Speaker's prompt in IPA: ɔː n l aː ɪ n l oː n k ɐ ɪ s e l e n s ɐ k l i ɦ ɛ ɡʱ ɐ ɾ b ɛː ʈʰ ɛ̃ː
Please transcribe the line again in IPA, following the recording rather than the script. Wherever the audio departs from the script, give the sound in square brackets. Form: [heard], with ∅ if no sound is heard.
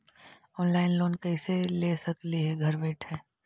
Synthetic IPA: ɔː n l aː ɪ n l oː n k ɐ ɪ s e l e [∅] s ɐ k l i ɦ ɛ ɡʱ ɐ ɾ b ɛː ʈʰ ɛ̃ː